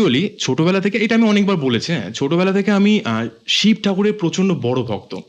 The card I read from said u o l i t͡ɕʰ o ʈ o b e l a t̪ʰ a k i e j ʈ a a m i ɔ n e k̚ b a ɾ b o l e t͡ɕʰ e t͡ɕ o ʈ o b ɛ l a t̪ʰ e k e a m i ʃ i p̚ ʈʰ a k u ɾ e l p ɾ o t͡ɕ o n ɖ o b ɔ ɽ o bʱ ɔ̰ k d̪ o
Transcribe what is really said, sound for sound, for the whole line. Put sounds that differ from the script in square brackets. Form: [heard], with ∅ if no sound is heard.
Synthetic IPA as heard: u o l i t͡ɕʰ o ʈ o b [ɛ] l a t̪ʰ [e] k [e] e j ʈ a a m i ɔ n e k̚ b a ɾ b o l e t͡ɕʰ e [t͡ɕʰ] o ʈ o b ɛ l a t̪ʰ e k e a m i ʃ i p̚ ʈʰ a k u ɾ e [ɾ] p ɾ o t͡ɕ o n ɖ o b ɔ ɽ o bʱ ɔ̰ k [t̪] o